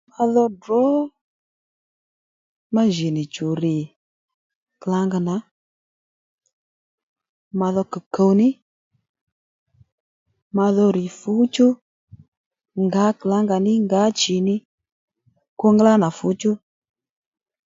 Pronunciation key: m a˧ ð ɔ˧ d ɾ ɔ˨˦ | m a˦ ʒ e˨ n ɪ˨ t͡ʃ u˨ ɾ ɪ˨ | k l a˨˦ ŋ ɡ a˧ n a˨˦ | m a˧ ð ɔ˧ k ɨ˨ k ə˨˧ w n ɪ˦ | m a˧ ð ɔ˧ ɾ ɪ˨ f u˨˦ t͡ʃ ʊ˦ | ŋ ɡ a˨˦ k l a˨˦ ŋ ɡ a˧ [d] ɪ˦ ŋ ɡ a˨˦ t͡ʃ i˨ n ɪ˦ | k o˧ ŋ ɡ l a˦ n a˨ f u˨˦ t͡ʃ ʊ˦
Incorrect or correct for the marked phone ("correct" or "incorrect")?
incorrect